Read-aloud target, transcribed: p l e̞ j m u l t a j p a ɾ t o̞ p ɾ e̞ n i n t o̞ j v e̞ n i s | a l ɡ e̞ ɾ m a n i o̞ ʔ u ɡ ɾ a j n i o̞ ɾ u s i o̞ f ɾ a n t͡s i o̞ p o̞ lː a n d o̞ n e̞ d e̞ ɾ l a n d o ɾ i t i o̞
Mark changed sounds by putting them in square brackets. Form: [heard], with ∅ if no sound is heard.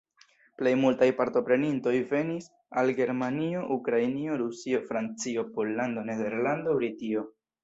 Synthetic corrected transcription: p l e̞ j m u l t a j p a ɾ t o̞ p ɾ e̞ n i n t o̞ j v e̞ n i s | a l ɡ e̞ ɾ m a n i o̞ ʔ u [k] ɾ a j n i o̞ ɾ u s i o̞ f ɾ a n t͡s i o̞ p o̞ lː a n d o̞ n e̞ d e̞ ɾ l a n d o ɾ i t i o̞